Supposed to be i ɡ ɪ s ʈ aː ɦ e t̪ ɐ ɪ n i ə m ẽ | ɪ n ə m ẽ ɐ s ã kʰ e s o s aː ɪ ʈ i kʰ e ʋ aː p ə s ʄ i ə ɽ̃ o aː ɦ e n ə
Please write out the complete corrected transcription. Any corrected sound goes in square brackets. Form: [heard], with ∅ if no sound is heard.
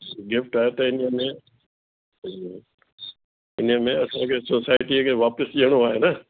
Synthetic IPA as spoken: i ɡ ɪ [f] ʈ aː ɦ e t̪ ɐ ɪ n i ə m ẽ | ɪ n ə m ẽ ɐ s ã kʰ e s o s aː ɪ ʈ i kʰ e ʋ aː p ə s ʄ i ə ɽ̃ o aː ɦ e n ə